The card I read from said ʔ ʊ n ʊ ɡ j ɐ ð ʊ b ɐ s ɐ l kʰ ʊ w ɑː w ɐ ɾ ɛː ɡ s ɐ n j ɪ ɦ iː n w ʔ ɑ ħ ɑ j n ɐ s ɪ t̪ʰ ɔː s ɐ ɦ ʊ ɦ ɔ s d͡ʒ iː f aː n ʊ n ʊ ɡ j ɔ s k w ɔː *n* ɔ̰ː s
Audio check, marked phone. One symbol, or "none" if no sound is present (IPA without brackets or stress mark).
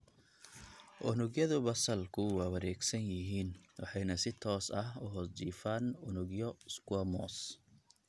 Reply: m